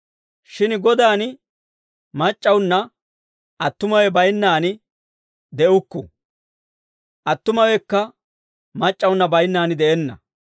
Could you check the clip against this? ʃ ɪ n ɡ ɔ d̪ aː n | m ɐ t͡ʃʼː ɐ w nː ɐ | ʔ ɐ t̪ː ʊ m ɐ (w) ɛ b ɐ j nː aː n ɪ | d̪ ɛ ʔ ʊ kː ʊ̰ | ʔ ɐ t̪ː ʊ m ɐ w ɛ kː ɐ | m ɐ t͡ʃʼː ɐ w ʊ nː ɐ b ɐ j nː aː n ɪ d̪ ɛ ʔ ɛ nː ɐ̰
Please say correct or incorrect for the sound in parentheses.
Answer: correct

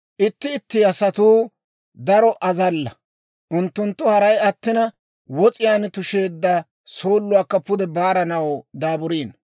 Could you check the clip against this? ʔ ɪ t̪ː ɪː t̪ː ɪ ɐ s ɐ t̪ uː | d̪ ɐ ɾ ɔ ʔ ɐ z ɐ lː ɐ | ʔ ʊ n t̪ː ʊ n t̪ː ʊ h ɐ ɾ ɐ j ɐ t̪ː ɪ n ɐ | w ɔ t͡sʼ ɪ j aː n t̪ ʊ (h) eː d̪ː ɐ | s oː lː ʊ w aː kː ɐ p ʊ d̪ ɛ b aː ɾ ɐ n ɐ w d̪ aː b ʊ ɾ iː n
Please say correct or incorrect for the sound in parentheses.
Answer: incorrect: ʃ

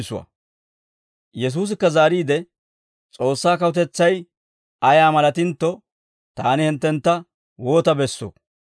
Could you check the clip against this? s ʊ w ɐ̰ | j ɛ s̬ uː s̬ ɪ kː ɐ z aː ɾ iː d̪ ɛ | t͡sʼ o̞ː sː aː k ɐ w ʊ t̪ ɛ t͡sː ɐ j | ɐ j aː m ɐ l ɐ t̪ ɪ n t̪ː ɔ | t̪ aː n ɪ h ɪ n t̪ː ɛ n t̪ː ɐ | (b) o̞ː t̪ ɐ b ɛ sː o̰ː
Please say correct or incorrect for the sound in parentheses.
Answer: incorrect: w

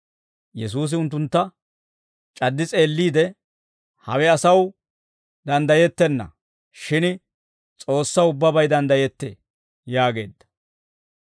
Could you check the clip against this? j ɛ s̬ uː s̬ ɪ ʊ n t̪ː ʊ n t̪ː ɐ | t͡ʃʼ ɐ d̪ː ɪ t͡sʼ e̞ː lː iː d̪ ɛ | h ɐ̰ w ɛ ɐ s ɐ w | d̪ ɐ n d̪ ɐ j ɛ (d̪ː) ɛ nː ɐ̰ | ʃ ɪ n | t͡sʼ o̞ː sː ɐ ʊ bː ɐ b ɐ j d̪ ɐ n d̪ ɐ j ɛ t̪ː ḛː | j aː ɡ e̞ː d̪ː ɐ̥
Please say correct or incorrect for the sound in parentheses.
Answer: incorrect: t̪ː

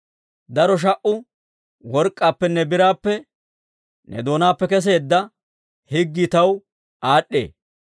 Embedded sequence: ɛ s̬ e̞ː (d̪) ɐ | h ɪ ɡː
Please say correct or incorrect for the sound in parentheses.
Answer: incorrect: d̪ː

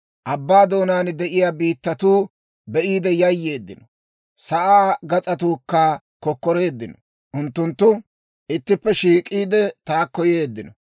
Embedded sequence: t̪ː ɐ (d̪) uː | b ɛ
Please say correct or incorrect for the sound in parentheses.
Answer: incorrect: t̪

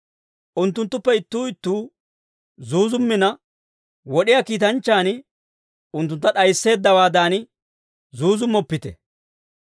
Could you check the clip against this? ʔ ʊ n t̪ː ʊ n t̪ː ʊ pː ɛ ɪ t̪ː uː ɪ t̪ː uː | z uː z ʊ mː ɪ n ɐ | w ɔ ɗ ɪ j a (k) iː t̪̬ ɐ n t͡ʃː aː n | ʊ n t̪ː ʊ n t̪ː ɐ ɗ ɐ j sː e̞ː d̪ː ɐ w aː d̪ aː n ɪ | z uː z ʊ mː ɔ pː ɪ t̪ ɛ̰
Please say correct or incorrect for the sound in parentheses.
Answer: correct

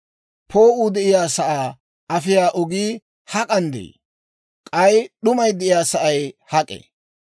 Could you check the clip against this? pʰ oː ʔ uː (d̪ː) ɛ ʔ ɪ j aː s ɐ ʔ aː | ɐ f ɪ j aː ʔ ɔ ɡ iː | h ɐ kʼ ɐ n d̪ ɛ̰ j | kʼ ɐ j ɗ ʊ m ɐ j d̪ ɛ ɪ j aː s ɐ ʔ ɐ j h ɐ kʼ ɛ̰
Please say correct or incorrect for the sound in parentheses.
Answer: incorrect: d̪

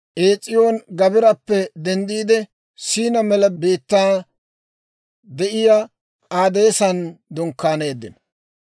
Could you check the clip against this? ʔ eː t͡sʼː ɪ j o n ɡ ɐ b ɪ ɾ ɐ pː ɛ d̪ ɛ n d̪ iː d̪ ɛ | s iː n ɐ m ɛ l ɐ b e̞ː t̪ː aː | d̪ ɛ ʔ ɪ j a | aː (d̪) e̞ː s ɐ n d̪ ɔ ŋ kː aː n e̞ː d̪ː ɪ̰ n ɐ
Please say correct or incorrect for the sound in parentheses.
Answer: correct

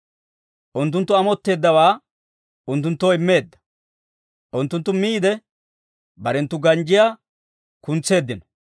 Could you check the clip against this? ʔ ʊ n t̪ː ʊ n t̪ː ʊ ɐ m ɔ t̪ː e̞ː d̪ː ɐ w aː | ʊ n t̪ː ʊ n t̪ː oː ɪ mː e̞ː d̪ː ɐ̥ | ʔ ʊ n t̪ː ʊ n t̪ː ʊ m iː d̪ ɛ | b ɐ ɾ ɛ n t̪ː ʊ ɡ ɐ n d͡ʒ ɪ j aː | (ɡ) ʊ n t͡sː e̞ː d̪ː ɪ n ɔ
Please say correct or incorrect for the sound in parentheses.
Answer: incorrect: k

